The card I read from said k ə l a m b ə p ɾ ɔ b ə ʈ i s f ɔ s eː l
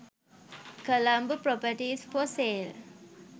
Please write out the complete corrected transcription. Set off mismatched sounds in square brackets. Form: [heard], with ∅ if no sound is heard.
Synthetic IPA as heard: k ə l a m b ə p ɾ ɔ [p] ə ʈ i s f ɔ s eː l

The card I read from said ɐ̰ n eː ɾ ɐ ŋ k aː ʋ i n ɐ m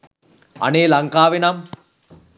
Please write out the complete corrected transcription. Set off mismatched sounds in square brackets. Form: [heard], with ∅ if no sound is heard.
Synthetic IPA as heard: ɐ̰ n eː [l] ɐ ŋ k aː ʋ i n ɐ m

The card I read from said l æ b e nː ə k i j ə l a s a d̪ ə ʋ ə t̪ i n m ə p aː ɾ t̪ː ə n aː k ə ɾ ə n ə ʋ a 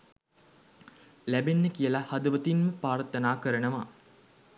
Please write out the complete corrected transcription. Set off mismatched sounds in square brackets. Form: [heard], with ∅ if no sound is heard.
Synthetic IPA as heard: l æ b e nː ə k i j ə l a [h] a d̪ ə ʋ ə t̪ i n m ə p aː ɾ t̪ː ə n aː k ə ɾ ə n ə ʋ a

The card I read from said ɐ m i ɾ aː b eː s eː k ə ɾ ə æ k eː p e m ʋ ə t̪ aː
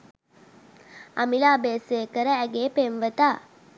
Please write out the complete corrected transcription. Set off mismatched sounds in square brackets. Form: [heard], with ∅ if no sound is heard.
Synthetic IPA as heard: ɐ m i [l] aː b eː s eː k ə ɾ ə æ [ɡ] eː p e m ʋ ə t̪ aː

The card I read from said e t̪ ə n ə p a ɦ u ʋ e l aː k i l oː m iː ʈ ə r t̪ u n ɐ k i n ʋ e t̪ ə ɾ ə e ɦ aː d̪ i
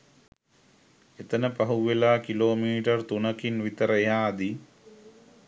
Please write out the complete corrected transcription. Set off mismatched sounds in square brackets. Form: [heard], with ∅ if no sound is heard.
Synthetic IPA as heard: e t̪ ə n ə p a ɦ u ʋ e l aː k i l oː m iː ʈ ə r t̪ u n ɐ k i n ʋ [i] t̪ ə ɾ ə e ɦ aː d̪ i

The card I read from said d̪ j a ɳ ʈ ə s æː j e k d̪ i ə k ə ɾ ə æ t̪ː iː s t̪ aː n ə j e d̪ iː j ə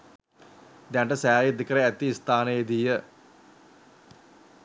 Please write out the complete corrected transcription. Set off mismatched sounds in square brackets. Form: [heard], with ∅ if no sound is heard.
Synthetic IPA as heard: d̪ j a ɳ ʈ ə s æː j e [∅] d̪ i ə k ə ɾ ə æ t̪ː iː s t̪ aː n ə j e d̪ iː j ə

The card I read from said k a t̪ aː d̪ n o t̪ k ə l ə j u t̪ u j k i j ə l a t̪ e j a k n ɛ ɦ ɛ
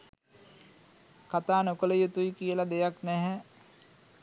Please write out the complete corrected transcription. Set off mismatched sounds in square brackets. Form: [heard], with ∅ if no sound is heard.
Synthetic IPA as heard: k a t̪ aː [∅] n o [∅] k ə l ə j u t̪ u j k i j ə l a [d̪] e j a k n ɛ ɦ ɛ

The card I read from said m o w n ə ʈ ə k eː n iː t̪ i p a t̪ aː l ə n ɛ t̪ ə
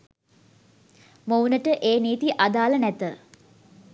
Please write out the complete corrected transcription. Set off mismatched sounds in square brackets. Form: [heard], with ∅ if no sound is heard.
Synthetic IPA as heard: m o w n ə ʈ ə [ʔ] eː n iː t̪ i [ʔ] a [d̪] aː l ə n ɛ t̪ ə

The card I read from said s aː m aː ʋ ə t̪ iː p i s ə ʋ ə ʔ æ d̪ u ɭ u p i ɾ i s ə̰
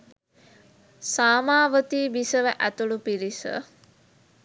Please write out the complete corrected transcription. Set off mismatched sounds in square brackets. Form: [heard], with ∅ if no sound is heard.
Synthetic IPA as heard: s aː m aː ʋ ə t̪ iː [b] i s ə ʋ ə ʔ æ [t̪] u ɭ u p i ɾ i s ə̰

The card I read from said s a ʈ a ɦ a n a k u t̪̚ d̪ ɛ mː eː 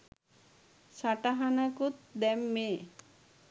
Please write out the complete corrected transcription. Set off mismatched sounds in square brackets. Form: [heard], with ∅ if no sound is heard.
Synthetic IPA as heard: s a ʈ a ɦ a n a k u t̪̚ d̪ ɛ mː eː

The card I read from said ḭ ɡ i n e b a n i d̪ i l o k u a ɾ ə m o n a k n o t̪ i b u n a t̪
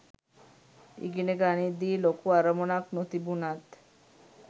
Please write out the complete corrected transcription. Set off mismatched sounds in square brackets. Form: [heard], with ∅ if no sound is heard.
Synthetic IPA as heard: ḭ ɡ i n e [ɡ] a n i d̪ i l o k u a ɾ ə m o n a k n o t̪ i b u n a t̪

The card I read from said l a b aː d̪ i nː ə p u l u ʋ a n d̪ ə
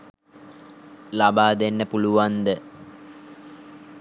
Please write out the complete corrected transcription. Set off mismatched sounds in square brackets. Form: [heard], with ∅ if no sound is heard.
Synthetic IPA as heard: l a b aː d̪ [e] nː ə p u l u ʋ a n d̪ ə

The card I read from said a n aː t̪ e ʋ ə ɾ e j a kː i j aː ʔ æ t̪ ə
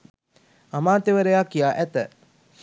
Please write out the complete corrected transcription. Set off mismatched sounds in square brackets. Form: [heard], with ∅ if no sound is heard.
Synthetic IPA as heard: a [m] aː t̪ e ʋ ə ɾ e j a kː i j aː ʔ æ t̪ ə

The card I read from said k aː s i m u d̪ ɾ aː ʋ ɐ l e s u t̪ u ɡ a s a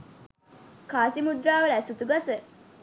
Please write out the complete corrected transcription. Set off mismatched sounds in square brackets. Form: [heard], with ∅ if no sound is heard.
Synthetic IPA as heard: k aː s i m u d̪ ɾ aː ʋ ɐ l [æ] s u t̪ u ɡ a s [ə]

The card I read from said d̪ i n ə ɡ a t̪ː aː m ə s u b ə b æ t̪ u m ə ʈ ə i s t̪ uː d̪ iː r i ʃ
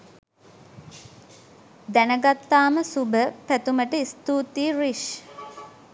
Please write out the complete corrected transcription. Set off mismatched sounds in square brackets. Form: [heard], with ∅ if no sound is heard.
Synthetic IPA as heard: d̪ [æ] n ə ɡ a t̪ː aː m ə s u b ə [p] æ t̪ u m ə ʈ ə i s t̪ uː [t̪] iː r i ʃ

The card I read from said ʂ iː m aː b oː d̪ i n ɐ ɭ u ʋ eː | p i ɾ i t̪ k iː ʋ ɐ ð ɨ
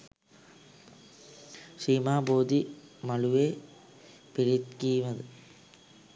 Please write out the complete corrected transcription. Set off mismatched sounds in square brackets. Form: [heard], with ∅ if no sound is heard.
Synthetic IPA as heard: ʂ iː m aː b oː d̪ i [m] ɐ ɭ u ʋ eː | p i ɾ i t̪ k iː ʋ ɐ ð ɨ

